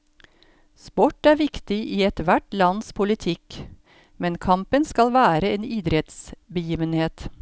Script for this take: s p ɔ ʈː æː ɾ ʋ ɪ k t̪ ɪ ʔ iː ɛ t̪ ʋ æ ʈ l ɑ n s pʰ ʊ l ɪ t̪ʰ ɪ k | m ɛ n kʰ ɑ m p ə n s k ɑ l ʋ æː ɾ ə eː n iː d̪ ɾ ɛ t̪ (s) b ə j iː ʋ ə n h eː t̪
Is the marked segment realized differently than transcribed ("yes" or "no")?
no